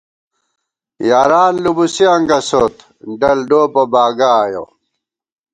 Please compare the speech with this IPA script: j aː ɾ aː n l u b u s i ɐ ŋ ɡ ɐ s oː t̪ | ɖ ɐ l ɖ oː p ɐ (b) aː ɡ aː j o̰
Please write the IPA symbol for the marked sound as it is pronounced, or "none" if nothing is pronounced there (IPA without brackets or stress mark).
b